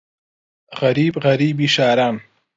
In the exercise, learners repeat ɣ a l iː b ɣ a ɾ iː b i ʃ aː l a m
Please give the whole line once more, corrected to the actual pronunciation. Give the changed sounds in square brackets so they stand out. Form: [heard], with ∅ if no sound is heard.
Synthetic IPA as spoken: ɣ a [ɾ] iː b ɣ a ɾ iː b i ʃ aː [ɾ] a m